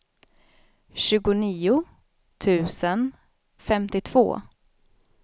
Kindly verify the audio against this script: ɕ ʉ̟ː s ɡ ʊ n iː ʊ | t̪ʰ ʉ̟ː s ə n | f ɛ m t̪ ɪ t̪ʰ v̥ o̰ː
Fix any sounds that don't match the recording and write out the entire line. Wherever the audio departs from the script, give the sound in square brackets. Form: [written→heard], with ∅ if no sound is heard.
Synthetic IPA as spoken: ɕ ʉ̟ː [s→∅] ɡ ʊ n iː ʊ | t̪ʰ ʉ̟ː s ə n | f ɛ m t̪ ɪ t̪ʰ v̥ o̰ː